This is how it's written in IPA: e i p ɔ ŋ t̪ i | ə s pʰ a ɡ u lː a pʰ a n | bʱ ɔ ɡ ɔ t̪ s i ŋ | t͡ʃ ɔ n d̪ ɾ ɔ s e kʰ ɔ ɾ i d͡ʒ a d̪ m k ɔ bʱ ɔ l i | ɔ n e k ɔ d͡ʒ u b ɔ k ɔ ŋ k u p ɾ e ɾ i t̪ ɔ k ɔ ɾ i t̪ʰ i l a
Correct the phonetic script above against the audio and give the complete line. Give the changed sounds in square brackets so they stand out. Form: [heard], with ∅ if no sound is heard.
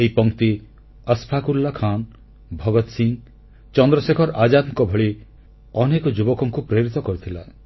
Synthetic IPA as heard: e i p ɔ ŋ t̪ i | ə s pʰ a [k] u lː a [kʰ] a n | bʱ ɔ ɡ ɔ t̪ s i ŋ | t͡ʃ ɔ n d̪ ɾ ɔ s e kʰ ɔ ɾ [a] d͡ʒ a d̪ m k ɔ bʱ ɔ [ɭ] i | ɔ n e k ɔ d͡ʒ u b ɔ k ɔ ŋ k u p ɾ e ɾ i t̪ ɔ k ɔ ɾ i t̪ʰ i l a